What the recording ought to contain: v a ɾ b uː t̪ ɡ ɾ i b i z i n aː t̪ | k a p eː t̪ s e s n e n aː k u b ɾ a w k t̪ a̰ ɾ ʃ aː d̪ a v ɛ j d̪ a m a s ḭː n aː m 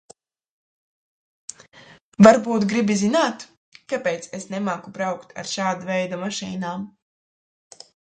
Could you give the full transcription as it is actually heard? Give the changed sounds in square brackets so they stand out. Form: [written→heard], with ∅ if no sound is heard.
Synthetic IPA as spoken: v a ɾ b uː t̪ ɡ ɾ i b i z i n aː t̪ | k a p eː t̪ s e s n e [n→m] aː k u b ɾ a w k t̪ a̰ ɾ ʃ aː d̪ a v ɛ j d̪ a m a [s→ʃ] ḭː n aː m